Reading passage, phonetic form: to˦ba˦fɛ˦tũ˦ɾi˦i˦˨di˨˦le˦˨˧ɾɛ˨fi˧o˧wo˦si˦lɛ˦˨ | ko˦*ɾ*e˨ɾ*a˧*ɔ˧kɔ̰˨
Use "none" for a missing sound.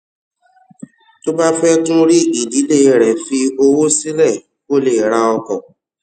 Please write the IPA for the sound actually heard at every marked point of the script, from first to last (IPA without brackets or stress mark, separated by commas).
l, a˧